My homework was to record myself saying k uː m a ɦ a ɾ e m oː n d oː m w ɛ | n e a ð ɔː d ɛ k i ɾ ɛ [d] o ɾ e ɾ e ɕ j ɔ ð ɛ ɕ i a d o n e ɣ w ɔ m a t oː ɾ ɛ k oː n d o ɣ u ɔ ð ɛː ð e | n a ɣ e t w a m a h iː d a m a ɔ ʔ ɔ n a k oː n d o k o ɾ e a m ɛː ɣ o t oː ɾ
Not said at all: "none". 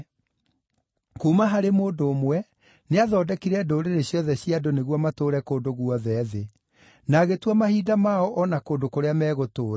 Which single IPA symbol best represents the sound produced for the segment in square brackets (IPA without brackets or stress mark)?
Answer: d